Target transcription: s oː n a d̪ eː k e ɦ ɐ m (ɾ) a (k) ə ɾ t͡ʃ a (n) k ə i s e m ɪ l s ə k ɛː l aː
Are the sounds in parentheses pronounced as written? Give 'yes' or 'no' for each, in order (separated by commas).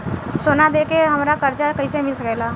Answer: yes, yes, no